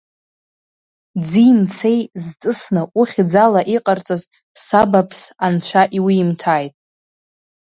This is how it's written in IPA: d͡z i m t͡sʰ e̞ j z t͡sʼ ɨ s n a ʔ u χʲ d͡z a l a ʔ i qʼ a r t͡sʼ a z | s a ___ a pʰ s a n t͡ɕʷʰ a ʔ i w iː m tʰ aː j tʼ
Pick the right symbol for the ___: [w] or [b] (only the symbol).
b